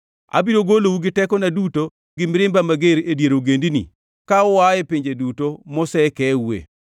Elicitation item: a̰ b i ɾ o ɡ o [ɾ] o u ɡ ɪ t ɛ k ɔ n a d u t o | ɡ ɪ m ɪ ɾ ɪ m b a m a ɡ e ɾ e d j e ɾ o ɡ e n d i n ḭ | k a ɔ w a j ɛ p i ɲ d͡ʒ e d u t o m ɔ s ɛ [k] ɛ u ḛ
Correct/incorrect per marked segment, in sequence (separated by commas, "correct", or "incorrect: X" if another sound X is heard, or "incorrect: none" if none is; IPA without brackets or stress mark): incorrect: l, correct